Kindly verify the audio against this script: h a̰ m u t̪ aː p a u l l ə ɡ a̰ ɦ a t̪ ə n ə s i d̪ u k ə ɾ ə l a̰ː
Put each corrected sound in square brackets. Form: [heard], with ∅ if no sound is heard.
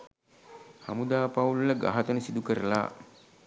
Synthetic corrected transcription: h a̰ m u [d̪] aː p a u l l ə ɡ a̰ ɦ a t̪ ə n ə s i d̪ u k ə ɾ ə l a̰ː